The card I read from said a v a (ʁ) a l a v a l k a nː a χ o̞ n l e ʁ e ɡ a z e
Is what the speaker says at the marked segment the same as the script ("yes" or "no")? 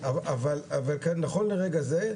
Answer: no